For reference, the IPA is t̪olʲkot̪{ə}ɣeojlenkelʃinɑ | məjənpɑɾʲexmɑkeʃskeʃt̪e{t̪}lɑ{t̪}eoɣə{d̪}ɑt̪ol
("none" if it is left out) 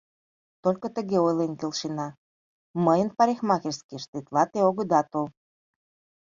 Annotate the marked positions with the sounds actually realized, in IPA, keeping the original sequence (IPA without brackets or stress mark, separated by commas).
ə, t̪, t̪, d̪